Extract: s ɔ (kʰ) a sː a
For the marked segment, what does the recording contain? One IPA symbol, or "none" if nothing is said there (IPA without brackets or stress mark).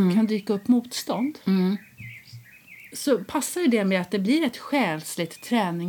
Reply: pʰ